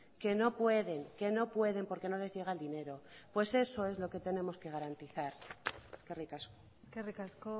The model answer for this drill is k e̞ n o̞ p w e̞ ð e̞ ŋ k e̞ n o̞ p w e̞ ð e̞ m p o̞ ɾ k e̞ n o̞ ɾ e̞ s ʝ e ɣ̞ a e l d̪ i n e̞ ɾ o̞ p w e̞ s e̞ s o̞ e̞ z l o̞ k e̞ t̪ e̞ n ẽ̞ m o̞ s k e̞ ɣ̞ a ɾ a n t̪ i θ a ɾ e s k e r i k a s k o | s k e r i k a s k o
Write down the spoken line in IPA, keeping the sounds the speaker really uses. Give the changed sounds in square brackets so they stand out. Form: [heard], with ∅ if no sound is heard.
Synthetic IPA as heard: k e̞ n o̞ p w e̞ ð e̞ ŋ k e̞ n o̞ p w e̞ ð e̞ m p o̞ ɾ k e̞ n o̞ [l] e̞ [z] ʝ e ɣ̞ a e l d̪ i n e̞ ɾ o̞ p w e̞ s e̞ s o̞ e̞ z l o̞ k e̞ t̪ e̞ n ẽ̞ m o̞ s k e̞ ɣ̞ a ɾ a n t̪ i θ a ɾ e s k e r i k a s k o | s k e r i k a s k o